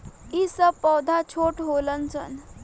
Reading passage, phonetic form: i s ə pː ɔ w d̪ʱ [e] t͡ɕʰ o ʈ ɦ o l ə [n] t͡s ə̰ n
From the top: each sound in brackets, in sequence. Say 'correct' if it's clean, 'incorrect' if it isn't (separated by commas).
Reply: incorrect, correct